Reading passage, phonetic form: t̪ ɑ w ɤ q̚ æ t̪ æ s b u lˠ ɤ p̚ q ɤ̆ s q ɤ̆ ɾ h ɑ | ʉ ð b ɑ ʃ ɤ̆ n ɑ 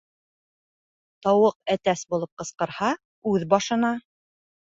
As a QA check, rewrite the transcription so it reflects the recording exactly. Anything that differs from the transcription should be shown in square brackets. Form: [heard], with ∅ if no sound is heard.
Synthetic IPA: t̪ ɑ w ɤ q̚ æ t̪ æ s b u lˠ ɤ p̚ q ɤ̆ s q ɤ̆ ɾ h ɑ | ʉ ð b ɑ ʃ ɤ̆ n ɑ